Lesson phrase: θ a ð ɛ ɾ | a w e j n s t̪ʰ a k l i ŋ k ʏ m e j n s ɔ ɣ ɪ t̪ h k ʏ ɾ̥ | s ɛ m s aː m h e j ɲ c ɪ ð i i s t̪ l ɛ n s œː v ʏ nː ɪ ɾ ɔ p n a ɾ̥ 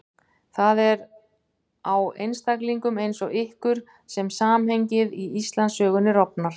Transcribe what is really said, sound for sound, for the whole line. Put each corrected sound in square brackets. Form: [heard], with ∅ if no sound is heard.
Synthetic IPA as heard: θ a ð ɛ ɾ | a w e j n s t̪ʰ a k l i ŋ k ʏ m e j n s ɔ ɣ ɪ [∅] h k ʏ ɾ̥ | s ɛ m s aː m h e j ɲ c ɪ ð i i s t̪ l [a] n s œː [ɣ] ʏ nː ɪ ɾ ɔ p n a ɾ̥